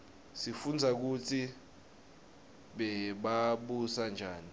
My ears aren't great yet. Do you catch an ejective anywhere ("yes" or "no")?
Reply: no